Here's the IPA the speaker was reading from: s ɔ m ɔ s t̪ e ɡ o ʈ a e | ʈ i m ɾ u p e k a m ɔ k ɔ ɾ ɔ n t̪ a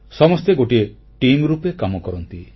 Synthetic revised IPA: s ɔ m ɔ s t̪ e ɡ o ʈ i e | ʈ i m ɾ u p e k a m ɔ k ɔ ɾ ɔ n t̪ i